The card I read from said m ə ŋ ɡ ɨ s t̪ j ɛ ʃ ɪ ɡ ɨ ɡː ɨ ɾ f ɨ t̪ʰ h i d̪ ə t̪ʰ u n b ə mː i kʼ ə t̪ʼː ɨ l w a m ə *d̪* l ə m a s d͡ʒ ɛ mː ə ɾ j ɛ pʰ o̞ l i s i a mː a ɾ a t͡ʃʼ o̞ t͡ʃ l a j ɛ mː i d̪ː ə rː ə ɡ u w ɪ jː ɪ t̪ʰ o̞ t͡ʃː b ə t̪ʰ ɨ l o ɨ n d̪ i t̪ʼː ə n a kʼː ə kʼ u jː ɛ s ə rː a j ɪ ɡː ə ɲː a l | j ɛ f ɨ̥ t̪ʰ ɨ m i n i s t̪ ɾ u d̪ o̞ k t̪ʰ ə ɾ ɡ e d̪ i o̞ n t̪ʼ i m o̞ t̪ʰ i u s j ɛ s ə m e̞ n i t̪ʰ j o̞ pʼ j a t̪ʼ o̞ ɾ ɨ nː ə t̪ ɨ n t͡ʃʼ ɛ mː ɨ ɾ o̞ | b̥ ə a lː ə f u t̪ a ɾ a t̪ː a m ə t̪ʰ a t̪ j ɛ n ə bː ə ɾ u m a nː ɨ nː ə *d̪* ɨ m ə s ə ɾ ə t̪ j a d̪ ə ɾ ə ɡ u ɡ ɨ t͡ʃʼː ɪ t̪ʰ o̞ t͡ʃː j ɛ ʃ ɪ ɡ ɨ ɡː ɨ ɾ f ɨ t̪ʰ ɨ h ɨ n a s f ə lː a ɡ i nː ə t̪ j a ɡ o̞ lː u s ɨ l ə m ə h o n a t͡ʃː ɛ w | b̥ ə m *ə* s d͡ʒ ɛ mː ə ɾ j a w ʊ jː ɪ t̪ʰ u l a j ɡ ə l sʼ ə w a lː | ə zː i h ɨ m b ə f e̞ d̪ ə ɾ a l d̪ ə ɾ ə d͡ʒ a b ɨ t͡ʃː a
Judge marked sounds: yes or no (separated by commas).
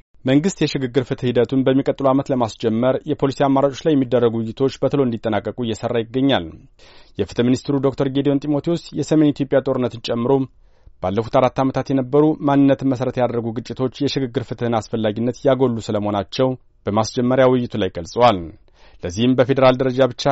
no, no, no